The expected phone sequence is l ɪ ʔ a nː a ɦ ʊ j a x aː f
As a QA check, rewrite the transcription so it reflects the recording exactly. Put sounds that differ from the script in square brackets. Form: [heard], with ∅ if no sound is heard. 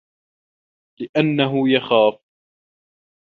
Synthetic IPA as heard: l ɪ ʔ a nː a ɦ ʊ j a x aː f